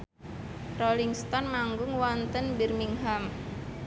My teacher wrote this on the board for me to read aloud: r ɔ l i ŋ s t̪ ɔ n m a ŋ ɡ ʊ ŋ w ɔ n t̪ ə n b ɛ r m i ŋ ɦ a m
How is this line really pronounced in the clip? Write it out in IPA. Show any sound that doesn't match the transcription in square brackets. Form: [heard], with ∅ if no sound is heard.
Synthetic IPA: r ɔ l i ŋ s t̪ ɔ n m a ŋ ɡ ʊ ŋ w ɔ n t̪ ə n b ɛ r m i ŋ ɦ a m